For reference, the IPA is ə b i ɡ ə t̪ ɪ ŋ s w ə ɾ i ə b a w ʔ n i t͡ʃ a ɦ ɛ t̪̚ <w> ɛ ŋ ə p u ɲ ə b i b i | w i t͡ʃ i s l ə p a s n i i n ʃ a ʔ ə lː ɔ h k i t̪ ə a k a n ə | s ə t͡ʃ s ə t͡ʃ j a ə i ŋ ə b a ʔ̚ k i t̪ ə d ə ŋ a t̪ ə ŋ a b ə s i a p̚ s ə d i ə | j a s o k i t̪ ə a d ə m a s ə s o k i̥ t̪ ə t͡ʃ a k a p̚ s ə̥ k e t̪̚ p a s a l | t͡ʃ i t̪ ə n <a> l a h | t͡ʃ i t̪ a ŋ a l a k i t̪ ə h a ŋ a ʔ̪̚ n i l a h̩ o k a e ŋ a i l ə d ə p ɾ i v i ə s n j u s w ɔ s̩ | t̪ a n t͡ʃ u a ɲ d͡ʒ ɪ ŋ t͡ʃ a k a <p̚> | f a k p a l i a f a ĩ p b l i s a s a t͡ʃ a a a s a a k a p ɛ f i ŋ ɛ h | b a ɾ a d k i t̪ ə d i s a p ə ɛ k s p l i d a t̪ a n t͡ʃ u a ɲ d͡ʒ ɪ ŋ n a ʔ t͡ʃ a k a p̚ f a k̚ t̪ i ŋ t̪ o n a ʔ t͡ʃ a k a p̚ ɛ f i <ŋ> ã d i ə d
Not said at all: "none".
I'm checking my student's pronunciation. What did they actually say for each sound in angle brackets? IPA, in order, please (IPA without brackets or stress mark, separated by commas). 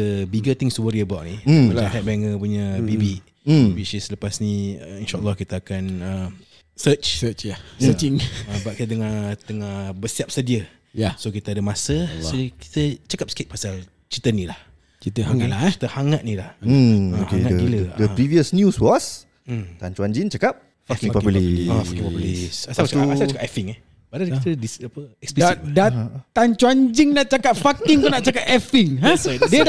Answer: b, i, p̚, ŋ